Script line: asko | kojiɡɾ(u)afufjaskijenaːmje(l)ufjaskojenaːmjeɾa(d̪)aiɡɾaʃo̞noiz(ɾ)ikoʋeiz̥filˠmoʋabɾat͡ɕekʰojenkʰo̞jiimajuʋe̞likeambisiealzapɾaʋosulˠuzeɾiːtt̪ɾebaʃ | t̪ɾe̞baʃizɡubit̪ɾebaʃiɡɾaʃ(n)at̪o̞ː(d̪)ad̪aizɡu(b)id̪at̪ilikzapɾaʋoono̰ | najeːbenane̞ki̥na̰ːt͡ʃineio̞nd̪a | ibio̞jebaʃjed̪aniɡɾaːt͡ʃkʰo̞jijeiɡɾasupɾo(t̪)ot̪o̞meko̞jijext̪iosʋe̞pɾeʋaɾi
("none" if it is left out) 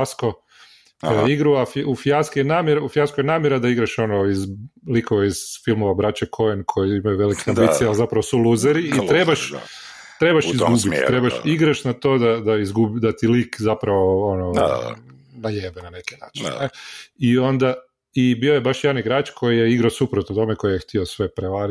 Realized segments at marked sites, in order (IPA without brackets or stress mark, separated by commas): u, ɾ, d̪, l, n, d̪, b, t̪